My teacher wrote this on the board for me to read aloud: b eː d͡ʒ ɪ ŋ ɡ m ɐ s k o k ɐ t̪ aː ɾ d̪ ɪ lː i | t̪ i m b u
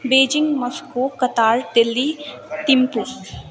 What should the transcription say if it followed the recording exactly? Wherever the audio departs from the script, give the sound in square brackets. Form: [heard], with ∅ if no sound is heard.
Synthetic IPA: b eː d͡ʒ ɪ ŋ ɡ m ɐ s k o k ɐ t̪ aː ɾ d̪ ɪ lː i | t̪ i m [p] u